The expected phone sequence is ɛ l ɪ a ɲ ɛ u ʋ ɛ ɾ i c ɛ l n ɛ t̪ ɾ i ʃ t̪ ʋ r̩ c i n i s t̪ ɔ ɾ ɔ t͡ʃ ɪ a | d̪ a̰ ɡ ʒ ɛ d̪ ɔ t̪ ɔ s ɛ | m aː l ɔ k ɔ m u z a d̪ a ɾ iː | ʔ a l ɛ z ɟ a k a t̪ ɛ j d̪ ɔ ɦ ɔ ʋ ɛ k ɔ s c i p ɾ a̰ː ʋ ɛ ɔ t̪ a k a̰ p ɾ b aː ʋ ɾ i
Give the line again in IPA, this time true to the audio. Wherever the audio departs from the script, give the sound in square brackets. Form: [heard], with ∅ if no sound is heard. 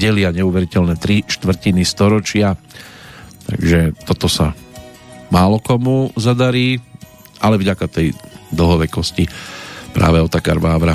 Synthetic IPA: ɛ l ɪ a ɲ ɛ u ʋ ɛ ɾ i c ɛ l n ɛ t̪ ɾ i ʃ t̪ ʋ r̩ c i n i s t̪ ɔ ɾ ɔ t͡ʃ ɪ a | [t̪] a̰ ɡ ʒ ɛ [t̪] ɔ t̪ ɔ s [a] | m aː l ɔ k ɔ m u z a d̪ a ɾ iː | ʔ a l ɛ [v] ɟ a k a t̪ ɛ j d̪ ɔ ɦ ɔ ʋ ɛ k ɔ s c i p ɾ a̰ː ʋ ɛ ɔ t̪ a k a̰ [∅] ɾ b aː ʋ ɾ [a]